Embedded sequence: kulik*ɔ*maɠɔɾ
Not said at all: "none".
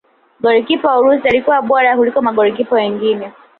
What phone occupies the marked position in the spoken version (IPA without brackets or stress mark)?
ɔ